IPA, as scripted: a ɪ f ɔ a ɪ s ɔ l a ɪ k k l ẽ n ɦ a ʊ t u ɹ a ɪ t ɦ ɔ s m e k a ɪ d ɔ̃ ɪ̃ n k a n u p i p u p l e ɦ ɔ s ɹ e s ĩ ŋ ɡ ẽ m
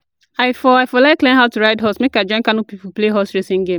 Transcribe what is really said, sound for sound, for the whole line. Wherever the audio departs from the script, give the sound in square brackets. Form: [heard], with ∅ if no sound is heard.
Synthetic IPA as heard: a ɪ f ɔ a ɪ [f] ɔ l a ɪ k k l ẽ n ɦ a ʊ t u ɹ a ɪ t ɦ ɔ s m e k a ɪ [d͡ʒ] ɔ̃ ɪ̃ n k a n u p i p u p l e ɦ ɔ s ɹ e s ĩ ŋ ɡ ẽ m

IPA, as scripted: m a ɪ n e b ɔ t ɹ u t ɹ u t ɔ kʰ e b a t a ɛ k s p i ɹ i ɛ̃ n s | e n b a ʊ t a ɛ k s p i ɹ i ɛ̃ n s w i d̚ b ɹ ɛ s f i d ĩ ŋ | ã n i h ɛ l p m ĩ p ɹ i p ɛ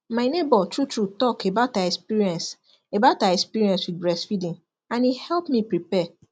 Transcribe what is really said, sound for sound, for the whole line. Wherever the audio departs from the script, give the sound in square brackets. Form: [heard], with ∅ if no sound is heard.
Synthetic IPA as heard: m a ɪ n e b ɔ t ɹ u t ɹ u t ɔ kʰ e b a t a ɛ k s p i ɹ i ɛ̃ n s | e [∅] b a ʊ t a ɛ k s p i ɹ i ɛ̃ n s w i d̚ b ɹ ɛ s f i d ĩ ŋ | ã n i h ɛ l p m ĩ p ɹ i p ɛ

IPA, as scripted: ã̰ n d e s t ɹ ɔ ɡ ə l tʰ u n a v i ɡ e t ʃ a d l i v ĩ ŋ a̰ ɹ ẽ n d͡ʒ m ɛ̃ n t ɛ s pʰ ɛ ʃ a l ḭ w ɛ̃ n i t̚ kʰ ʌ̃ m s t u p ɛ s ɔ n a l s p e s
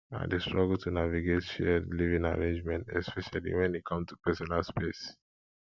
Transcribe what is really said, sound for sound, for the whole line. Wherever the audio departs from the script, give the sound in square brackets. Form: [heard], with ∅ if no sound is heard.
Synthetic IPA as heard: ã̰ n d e s t ɹ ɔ ɡ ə l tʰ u n a v i ɡ e t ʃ [ɛ] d l i v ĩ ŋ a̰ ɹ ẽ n d͡ʒ m ɛ̃ n t ɛ s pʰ ɛ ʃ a l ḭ w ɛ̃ n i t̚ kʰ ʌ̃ m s t u p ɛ s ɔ n a l s p e s

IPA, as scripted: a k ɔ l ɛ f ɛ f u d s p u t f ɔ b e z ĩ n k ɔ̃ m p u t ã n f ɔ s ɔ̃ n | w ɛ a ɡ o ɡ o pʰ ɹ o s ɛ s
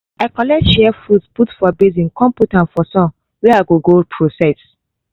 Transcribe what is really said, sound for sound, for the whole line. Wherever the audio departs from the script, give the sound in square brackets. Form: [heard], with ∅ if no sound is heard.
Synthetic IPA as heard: a k ɔ l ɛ [ʃ] ɛ f u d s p u t f ɔ b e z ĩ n k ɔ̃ m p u t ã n f ɔ s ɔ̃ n | w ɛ a ɡ o ɡ o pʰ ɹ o s ɛ s

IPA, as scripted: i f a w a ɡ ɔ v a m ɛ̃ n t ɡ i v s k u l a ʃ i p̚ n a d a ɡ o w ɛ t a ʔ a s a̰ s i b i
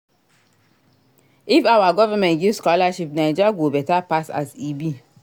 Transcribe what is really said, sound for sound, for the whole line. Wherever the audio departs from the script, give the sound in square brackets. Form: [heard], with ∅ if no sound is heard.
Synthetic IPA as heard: i f a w a ɡ ɔ v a m ɛ̃ n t ɡ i v s k [ɔ] l a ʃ i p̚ n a [d͡ʒ] a ɡ o [b] ɛ t a [p] a s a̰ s i b i

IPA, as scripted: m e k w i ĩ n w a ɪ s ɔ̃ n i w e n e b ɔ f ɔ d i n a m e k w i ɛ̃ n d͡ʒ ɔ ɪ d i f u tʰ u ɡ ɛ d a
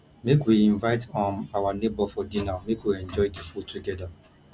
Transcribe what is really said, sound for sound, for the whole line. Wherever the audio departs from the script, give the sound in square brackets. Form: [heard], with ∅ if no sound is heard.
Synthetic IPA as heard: m e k w i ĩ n [v] a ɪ [t] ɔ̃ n [a] w [a] n e b ɔ f ɔ d i n a m e k w i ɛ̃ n d͡ʒ ɔ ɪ d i f u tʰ u ɡ ɛ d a

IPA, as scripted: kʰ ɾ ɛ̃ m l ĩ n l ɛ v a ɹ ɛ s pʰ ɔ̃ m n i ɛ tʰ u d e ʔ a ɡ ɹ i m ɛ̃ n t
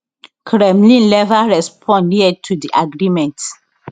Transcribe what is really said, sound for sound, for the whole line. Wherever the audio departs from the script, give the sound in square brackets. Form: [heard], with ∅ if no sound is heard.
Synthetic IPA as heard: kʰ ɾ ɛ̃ m l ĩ n l ɛ v a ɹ ɛ s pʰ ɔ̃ [n] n i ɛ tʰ u d [i] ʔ a ɡ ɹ i m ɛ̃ n t

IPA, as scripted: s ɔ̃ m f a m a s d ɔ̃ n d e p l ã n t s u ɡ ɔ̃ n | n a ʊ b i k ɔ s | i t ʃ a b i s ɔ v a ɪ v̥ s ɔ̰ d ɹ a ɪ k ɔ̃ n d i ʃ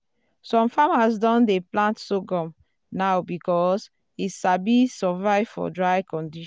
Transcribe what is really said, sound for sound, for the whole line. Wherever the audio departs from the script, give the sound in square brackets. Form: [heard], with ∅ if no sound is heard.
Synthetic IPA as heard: s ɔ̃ m f a m a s d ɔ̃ n d e p l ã n t s [o] ɡ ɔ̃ [m] | n a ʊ b i k ɔ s | i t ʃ a b i s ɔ v a ɪ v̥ [f] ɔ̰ d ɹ a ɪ k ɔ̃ n d i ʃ

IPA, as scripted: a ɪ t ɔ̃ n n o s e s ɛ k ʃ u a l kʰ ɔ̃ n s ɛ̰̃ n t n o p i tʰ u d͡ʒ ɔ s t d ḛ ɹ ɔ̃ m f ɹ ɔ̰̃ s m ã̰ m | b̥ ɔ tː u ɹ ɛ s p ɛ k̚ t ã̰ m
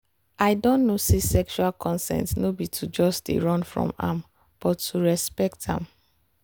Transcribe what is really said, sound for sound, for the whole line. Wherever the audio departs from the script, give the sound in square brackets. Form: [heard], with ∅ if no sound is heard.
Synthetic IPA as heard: a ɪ [d] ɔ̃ n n o s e s ɛ k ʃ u a l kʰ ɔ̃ n s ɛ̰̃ n t n o [b] i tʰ u d͡ʒ ɔ s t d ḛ ɹ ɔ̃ [n] f ɹ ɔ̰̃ [∅] m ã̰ m | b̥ ɔ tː u ɹ ɛ s p ɛ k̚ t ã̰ m

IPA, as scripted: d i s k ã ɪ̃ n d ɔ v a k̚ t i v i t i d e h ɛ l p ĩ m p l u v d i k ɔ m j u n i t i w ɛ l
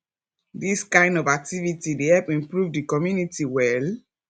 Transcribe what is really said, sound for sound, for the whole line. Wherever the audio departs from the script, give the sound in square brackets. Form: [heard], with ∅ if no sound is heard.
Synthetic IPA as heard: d i s k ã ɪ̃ n d ɔ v a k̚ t i v i t i d e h ɛ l p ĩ m p [ɹ] u v d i k ɔ m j u n i t i w ɛ l

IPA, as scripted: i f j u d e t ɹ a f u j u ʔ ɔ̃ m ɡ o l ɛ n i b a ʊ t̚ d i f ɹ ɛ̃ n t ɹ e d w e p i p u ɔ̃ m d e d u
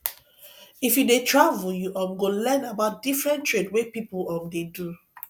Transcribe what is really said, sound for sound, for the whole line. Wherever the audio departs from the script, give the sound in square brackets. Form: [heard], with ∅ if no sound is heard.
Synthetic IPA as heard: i f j u d e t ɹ a [v] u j u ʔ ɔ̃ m ɡ o l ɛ n [a] b a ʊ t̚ d i f ɹ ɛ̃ n t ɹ e d w e p i p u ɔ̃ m d e d u

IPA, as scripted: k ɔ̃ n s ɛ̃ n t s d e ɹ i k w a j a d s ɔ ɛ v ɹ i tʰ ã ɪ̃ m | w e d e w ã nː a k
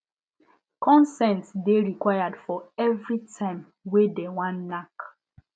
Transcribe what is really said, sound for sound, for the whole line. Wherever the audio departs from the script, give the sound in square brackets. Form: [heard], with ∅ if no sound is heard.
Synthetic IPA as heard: k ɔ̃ n s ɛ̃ n t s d e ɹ i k w a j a d [f] ɔ ɛ v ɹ i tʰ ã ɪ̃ m | w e d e w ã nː a k

